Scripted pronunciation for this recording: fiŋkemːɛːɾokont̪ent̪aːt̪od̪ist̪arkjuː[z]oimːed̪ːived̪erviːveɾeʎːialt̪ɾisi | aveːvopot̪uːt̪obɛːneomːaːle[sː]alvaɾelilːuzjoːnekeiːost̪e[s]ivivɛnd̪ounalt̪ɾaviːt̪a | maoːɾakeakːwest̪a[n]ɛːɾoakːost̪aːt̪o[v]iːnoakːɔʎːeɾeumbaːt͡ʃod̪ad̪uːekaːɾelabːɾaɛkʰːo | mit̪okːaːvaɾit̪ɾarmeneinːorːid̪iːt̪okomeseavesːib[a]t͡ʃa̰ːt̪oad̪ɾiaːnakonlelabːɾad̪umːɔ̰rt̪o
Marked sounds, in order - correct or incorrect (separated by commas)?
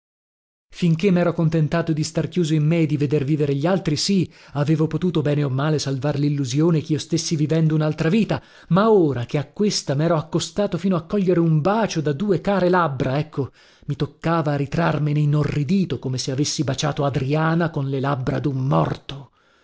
correct, incorrect, incorrect, incorrect, incorrect, correct